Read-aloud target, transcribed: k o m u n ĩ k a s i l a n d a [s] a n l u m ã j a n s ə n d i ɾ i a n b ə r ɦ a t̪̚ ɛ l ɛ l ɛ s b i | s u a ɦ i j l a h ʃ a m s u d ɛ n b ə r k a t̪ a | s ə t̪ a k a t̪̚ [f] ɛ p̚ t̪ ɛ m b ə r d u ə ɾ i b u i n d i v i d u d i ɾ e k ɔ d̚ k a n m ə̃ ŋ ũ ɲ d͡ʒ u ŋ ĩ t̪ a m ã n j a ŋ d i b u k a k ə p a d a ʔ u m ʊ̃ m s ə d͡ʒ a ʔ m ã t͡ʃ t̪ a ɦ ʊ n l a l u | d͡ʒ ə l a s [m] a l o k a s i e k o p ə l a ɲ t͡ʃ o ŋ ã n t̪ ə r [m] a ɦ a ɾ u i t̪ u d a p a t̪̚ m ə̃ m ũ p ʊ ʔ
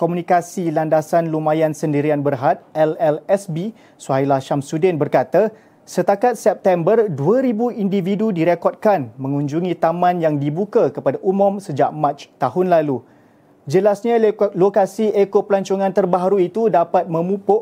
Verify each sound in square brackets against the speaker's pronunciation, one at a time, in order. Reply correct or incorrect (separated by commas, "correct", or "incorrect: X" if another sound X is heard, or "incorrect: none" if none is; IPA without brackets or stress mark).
correct, incorrect: s, incorrect: ɲ, incorrect: b